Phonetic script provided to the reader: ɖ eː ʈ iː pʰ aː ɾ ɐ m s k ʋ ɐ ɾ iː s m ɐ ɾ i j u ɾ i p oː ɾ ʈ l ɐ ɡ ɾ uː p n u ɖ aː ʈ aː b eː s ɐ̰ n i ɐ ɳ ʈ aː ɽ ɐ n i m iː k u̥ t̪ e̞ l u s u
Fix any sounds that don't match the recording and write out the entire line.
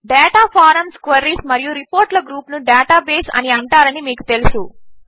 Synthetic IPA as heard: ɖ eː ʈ aː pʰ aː ɾ ɐ m s k ʋ ɐ ɾ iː s m ɐ ɾ i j u ɾ i p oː ɾ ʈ l ɐ ɡ ɾ uː p n u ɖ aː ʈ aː b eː s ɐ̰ n i ɐ ɳ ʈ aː ɾ ɐ n i m iː k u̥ t̪ e̞ l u s u